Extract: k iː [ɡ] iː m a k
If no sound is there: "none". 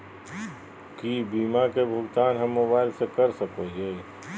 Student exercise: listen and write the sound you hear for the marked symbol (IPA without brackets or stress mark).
b